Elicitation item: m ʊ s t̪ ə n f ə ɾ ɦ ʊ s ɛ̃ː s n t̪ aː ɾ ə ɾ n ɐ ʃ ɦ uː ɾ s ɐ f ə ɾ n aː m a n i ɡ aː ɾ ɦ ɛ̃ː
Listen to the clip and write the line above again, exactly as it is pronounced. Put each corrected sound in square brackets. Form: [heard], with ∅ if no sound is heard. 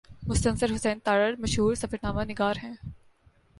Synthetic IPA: m ʊ s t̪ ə n [s] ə ɾ ɦ ʊ s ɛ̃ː [∅] n t̪ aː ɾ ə ɾ [m] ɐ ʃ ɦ uː ɾ s ɐ f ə ɾ n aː m a n [ɪ] ɡ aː ɾ ɦ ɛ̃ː